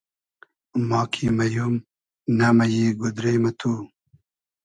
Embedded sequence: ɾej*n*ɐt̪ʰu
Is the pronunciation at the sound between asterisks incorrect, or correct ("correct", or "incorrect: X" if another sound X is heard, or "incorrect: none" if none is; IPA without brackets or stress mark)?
incorrect: m